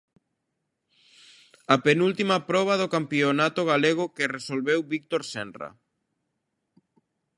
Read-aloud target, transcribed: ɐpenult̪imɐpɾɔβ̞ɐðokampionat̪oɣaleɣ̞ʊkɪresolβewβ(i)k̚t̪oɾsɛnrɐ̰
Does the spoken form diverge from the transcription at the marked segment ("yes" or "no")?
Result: no